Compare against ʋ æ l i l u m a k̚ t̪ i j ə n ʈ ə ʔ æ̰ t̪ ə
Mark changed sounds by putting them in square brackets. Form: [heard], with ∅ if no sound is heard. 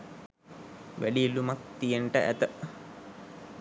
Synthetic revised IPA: ʋ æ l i l u m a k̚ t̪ i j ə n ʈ ə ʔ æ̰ t̪ ə